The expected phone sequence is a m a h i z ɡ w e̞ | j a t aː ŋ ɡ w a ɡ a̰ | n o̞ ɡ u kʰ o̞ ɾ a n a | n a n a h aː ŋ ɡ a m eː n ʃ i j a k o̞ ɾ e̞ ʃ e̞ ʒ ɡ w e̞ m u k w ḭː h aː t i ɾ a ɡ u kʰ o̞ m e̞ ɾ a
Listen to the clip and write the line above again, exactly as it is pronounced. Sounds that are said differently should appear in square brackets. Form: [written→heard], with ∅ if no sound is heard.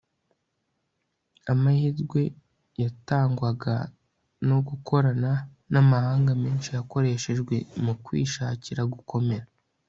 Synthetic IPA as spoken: a m a h i z ɡ w e̞ | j a t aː ŋ ɡ w a ɡ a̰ | n o̞ ɡ u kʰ o̞ ɾ a n a | n a [n→m] a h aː ŋ ɡ a m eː n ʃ i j a k o̞ ɾ e̞ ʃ e̞ ʒ ɡ w e̞ m u k w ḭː [h→ʃ] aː [t→c] i ɾ a ɡ u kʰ o̞ m e̞ ɾ a